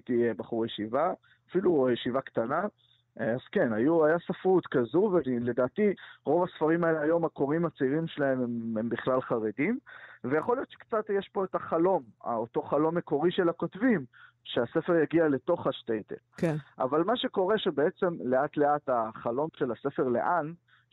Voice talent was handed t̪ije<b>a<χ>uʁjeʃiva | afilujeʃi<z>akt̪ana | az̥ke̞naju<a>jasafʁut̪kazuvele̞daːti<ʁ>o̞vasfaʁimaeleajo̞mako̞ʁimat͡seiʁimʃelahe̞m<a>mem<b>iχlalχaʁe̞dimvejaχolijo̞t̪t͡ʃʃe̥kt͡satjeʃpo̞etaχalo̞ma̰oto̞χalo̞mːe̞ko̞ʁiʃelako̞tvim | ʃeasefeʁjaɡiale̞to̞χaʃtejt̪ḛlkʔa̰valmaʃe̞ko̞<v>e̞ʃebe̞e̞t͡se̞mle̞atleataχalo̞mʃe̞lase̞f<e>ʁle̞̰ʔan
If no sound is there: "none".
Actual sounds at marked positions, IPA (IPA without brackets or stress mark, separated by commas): b, χ, v, a, ʁ, e, b, ʁ, e